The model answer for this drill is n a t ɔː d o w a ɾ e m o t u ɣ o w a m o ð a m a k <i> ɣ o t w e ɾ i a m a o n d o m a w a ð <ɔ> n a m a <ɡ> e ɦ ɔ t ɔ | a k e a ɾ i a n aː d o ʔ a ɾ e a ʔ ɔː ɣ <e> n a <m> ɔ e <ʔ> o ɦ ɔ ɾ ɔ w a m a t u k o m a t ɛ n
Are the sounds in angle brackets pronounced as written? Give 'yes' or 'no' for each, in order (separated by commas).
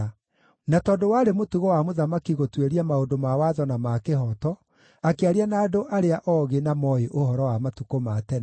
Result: yes, yes, no, yes, yes, yes